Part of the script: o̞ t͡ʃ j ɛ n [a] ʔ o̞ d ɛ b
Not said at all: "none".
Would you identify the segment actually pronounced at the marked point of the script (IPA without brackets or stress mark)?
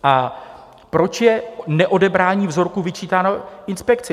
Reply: ɛ